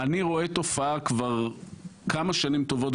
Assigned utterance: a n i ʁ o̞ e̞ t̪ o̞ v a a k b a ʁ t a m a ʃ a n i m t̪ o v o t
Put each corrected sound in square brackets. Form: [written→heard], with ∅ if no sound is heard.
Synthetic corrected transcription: a n i ʁ o̞ e̞ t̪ o̞ [v→f] a a k [b→v] a ʁ [t→k] a m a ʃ a n i m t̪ o v o t